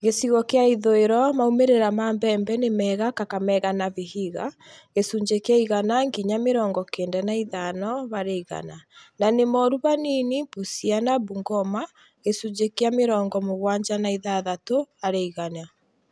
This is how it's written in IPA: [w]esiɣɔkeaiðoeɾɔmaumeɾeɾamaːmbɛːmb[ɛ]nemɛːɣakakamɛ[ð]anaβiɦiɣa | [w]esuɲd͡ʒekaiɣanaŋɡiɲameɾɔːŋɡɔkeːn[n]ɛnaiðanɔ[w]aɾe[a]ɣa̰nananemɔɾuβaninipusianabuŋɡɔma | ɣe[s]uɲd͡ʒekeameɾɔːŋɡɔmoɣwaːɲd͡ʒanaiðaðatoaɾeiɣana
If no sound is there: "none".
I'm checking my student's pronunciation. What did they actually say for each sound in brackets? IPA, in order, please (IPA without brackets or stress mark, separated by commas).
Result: ɣ, ɛ, ɣ, ɣ, d, β, i, s